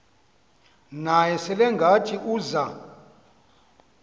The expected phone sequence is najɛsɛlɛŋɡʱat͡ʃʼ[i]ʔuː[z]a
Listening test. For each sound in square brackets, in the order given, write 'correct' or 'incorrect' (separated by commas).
correct, correct